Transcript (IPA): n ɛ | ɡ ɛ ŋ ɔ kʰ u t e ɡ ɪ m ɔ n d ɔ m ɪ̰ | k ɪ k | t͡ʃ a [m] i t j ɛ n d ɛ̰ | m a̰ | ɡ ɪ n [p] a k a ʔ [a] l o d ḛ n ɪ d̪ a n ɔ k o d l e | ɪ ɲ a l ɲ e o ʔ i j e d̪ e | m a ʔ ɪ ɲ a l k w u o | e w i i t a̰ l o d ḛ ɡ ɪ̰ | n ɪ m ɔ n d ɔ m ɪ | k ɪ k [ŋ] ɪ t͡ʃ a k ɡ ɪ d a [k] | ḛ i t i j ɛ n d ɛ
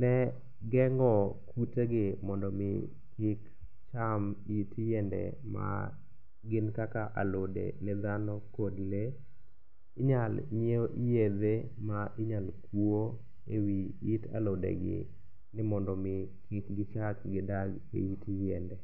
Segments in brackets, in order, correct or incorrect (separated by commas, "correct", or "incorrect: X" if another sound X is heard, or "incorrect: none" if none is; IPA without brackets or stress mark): correct, incorrect: k, correct, incorrect: ɡ, incorrect: ɡ